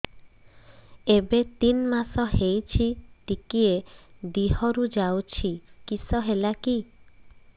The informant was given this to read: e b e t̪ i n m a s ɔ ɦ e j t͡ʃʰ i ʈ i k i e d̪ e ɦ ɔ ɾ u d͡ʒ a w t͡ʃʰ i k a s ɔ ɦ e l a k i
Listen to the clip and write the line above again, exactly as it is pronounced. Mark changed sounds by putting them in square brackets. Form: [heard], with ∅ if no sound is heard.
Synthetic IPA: e b e t̪ i n m a s ɔ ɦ e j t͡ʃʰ i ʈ i k i e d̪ [i] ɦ ɔ ɾ u d͡ʒ a w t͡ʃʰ i k [i] s ɔ ɦ e l a k i